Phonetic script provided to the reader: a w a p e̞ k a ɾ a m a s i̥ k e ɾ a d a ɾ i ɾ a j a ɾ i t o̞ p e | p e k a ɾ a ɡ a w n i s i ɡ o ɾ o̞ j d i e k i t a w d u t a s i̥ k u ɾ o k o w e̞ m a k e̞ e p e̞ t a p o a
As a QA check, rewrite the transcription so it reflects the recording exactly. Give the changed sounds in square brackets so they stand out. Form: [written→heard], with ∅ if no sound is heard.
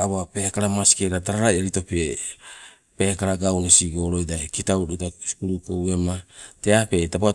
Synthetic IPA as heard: a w a p e̞ k a ɾ a m a s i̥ k e ɾ a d a ɾ [i→a] ɾ a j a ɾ i t o̞ p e | p e k a ɾ a ɡ a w n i s i ɡ o ɾ o̞ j d [i→a] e k i t a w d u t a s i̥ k u ɾ [o→u] k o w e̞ m a [k→t] e̞ [e→a] p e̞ t a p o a